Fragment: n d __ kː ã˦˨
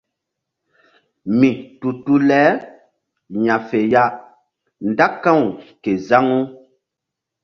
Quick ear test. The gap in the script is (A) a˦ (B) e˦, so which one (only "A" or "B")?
A